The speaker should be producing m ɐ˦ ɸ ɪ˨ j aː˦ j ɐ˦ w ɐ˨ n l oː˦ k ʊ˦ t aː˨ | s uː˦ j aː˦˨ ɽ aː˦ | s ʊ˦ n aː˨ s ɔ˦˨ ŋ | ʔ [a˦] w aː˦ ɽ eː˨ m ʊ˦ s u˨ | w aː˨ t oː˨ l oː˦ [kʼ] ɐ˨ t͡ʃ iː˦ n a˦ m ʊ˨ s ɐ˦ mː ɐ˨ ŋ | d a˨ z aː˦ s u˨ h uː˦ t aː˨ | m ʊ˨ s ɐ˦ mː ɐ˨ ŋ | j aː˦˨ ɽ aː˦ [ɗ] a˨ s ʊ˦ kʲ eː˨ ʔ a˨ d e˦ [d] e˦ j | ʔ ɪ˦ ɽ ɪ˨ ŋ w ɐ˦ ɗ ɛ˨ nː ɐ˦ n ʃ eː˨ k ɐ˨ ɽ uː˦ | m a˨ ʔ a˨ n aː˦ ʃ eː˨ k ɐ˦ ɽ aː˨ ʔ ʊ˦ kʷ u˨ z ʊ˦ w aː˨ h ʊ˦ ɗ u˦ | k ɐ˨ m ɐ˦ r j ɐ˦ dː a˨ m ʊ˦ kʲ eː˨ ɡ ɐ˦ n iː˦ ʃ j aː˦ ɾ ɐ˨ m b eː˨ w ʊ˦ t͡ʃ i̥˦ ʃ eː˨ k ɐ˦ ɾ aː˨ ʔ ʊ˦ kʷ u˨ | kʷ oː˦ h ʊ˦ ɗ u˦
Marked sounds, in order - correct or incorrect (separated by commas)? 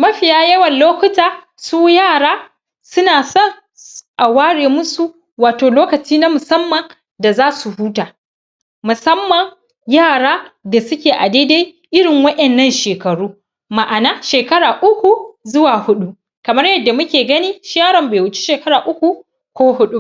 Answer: incorrect, incorrect, incorrect, correct